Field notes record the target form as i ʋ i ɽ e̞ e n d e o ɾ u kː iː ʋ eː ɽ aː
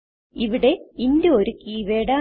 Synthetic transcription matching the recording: i ʋ i ɽ e̞ i n d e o ɾ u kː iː ʋ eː ɽ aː